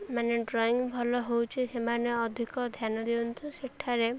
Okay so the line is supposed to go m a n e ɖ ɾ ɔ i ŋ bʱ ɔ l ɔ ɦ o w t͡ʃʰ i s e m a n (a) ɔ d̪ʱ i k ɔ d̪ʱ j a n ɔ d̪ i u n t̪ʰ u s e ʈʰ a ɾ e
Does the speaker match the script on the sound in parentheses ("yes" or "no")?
no